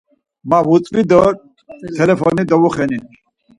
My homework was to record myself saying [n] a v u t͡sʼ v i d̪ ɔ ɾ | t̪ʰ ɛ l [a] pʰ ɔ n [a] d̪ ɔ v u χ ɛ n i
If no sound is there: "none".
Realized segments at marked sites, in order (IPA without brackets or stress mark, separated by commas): m, ɛ, i